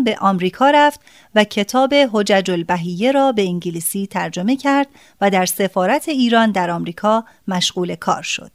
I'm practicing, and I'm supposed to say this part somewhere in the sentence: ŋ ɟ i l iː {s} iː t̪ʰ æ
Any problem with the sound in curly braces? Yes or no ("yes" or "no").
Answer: no